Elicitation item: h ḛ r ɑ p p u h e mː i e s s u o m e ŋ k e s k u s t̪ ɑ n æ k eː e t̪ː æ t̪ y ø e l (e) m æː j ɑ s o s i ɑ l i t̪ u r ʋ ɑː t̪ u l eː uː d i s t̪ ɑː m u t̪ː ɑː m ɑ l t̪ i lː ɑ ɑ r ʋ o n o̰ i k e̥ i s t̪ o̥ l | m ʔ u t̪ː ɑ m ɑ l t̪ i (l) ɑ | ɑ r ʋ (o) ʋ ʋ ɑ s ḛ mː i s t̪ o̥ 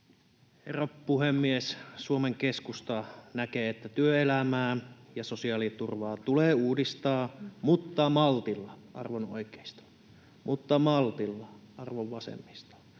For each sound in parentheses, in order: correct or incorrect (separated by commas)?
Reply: incorrect, incorrect, correct